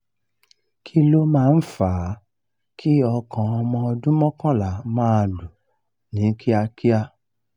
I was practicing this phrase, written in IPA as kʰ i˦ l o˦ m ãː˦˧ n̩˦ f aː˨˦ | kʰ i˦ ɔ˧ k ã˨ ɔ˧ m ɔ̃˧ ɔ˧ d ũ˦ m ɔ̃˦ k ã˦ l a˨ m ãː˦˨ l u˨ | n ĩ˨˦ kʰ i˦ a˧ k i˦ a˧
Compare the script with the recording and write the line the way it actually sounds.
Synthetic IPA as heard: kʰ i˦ l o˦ m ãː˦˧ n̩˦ f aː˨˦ | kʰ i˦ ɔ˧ k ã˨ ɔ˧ m ɔ̃˧ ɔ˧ d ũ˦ m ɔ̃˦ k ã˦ l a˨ m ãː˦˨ l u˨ | n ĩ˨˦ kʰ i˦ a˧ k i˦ a˧